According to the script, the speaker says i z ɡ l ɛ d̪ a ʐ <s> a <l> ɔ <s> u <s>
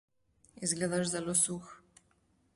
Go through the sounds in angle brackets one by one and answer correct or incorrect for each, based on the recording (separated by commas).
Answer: incorrect, correct, correct, incorrect